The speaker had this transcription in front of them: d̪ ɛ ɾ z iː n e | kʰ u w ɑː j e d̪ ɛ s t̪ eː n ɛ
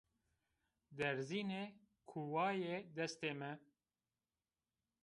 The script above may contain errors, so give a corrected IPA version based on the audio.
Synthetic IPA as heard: d̪ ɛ ɾ z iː n e | kʰ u w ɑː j e d̪ ɛ s t̪ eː m ɛ